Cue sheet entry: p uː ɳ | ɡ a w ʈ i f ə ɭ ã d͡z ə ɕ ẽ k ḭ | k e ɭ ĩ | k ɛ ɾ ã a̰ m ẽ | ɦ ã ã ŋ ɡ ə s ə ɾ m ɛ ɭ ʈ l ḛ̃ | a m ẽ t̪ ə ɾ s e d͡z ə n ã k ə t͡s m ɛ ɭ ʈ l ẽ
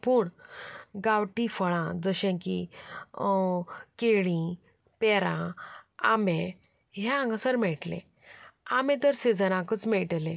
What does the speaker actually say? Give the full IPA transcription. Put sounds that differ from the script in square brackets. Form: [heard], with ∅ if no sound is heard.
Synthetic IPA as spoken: p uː ɳ | ɡ a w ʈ i f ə ɭ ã d͡z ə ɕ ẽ k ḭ | k e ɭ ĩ | [p] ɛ ɾ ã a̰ m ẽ | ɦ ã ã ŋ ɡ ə s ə ɾ m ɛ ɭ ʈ l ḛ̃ | a m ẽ t̪ ə ɾ s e d͡z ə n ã k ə t͡s m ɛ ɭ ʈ l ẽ